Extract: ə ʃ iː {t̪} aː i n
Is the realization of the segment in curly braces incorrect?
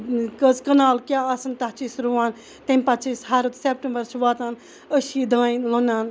yes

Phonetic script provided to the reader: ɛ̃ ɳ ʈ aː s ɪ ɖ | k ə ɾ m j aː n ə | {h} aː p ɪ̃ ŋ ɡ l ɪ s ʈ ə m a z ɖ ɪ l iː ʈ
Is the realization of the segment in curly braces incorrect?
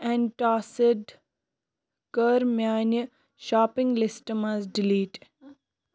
yes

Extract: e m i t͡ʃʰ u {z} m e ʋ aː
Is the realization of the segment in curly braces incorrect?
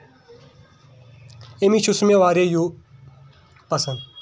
yes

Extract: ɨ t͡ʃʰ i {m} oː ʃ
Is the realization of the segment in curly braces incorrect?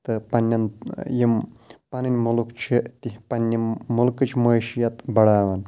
no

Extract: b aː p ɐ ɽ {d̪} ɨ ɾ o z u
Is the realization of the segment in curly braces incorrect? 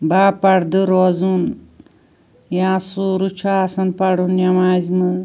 no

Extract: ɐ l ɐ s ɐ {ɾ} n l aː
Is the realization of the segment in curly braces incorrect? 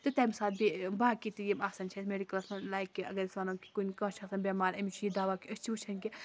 yes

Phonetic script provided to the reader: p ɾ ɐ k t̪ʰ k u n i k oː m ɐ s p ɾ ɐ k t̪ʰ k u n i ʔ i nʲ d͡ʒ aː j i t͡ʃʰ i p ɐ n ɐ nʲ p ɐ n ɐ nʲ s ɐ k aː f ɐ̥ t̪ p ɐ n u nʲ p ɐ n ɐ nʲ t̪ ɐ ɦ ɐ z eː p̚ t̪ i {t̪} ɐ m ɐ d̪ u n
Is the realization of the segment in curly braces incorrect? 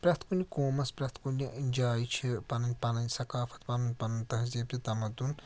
no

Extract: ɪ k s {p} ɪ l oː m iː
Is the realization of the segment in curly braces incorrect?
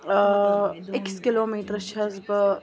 yes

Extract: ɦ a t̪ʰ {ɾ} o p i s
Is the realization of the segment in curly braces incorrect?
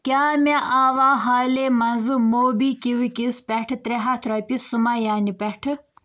no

